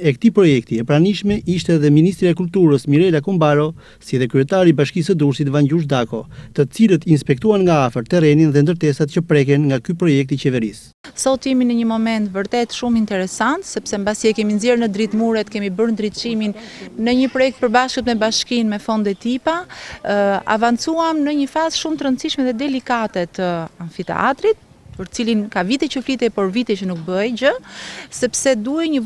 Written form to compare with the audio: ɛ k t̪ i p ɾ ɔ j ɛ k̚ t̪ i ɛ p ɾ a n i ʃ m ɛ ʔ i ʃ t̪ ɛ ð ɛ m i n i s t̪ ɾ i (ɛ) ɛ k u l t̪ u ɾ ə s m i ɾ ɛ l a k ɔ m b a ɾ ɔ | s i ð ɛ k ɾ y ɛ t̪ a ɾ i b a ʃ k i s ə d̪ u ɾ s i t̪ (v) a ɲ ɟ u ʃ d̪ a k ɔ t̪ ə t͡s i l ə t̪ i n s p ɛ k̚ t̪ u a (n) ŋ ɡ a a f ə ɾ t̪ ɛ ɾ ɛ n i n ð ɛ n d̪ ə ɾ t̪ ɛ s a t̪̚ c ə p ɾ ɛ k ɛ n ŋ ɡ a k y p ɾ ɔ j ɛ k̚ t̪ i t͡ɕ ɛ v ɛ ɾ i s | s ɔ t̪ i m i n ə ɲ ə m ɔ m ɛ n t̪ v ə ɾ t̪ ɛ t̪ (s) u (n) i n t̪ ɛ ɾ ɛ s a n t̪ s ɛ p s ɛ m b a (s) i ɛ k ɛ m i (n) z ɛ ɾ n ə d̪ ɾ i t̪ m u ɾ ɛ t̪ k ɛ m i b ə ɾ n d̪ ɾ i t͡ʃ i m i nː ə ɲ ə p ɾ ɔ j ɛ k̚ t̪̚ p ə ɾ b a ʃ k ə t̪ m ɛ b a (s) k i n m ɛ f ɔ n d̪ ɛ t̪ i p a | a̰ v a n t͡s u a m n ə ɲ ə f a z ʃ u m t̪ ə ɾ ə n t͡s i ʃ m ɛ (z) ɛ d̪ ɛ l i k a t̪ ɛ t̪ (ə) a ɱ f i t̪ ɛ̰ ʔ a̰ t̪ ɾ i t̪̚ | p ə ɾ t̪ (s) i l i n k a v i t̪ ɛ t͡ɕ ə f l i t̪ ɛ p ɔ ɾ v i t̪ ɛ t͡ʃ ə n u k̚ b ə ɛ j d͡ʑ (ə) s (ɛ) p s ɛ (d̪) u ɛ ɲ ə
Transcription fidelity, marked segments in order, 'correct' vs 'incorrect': incorrect: a, correct, correct, incorrect: ʃ, incorrect: m, correct, correct, incorrect: ʃ, incorrect: ð, correct, incorrect: t͡s, correct, correct, correct

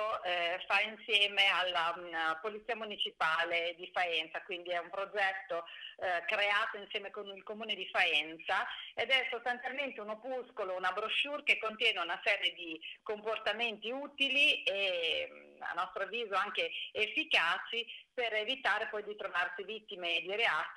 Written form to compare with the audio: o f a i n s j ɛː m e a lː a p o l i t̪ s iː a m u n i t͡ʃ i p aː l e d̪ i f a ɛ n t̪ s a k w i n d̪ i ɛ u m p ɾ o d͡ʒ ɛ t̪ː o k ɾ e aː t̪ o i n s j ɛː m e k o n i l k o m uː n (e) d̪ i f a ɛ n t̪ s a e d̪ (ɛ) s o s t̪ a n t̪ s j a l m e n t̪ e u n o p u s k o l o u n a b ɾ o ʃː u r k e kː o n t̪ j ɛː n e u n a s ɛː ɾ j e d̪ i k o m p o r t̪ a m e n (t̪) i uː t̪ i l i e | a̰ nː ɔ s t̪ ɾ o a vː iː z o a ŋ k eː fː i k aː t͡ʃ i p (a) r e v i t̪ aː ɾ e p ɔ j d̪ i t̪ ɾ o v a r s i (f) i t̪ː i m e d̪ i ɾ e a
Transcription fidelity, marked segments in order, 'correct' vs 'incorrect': correct, correct, correct, incorrect: e, incorrect: v

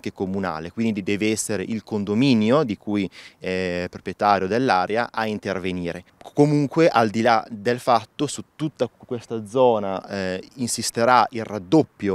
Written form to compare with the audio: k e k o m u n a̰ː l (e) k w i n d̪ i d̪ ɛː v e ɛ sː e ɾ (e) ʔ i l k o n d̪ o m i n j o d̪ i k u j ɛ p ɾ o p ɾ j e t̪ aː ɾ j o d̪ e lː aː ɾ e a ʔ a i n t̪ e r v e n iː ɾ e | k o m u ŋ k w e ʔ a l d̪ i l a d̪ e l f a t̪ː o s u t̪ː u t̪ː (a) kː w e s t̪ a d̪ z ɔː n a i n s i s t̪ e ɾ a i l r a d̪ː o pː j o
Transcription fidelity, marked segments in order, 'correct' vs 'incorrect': correct, correct, correct

